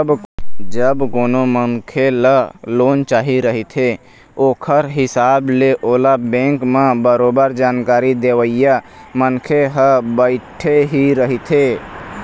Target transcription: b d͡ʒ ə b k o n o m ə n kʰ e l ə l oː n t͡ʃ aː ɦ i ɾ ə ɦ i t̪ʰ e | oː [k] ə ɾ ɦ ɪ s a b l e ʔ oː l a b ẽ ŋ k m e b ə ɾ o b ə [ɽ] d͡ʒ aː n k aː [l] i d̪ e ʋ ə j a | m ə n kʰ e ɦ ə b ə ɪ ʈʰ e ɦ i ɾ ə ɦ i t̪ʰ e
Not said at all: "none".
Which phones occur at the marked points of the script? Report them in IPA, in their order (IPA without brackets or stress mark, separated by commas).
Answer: kʰ, ɾ, ɾ